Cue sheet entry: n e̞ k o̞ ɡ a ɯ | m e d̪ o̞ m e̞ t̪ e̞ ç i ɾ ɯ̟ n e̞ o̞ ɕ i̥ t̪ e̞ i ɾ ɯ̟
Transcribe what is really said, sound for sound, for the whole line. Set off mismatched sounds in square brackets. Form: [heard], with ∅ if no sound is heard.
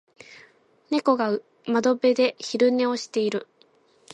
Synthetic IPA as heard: n e̞ k o̞ ɡ a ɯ | m [a] d̪ o̞ [b] e̞ [d̪] e̞ ç i ɾ ɯ̟ n e̞ o̞ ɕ i̥ t̪ e̞ i ɾ ɯ̟